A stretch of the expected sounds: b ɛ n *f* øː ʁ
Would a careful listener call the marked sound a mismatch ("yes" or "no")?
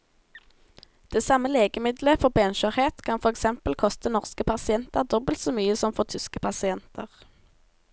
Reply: yes